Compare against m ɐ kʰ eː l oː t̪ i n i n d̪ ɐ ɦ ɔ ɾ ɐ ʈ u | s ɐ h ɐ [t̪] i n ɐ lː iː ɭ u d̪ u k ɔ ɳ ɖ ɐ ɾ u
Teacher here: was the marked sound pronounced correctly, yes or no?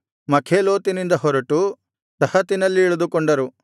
yes